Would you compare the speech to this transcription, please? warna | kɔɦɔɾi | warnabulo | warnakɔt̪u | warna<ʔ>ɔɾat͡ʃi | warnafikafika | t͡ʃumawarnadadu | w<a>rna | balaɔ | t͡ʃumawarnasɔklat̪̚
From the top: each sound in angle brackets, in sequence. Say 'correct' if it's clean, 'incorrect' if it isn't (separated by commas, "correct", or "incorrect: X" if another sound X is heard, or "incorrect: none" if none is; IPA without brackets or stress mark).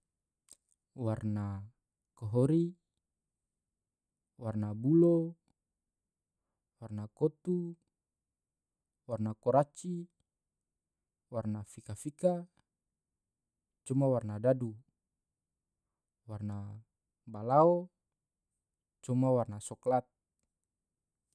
incorrect: k, correct